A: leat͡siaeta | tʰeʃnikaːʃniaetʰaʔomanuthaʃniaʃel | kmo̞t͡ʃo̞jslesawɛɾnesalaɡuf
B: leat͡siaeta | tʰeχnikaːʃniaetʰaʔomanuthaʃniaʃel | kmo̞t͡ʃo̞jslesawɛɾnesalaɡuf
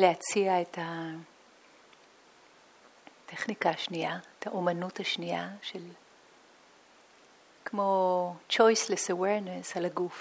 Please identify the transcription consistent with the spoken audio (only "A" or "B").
B